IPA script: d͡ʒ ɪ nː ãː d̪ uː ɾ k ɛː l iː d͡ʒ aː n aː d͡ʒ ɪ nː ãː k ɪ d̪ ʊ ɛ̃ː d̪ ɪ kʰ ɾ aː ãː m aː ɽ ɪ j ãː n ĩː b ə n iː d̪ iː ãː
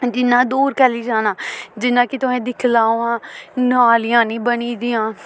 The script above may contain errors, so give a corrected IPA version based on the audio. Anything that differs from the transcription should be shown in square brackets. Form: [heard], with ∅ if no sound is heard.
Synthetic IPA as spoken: d͡ʒ ɪ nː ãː d̪ uː ɾ k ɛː l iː d͡ʒ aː n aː d͡ʒ ɪ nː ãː k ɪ [t̪] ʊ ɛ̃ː d̪ ɪ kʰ [l] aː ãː [n] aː [l] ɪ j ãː n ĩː b ə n iː d̪ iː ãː